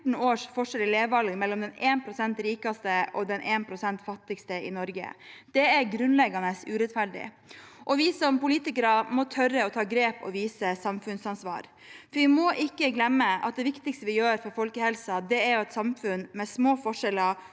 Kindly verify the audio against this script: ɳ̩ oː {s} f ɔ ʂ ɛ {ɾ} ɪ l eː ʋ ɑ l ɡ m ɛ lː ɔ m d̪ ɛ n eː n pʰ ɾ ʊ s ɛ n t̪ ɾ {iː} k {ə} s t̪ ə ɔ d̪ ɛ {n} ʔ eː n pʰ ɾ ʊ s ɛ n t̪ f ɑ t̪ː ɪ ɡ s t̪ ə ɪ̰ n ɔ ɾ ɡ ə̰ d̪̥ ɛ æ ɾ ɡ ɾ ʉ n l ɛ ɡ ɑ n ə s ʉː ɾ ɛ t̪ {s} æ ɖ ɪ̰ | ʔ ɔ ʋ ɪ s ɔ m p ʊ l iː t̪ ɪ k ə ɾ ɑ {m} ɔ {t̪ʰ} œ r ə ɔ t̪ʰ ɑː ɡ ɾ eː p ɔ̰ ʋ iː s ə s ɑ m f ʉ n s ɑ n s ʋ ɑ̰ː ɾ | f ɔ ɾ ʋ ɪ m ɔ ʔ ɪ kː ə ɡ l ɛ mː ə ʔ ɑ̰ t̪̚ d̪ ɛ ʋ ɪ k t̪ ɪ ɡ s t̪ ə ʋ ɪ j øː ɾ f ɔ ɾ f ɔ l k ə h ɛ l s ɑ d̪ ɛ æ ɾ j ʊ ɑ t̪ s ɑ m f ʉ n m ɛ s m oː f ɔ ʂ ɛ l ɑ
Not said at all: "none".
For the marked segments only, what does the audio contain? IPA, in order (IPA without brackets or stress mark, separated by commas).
ʂ, l, iː, ɑ, n, f, m, t̪ʰ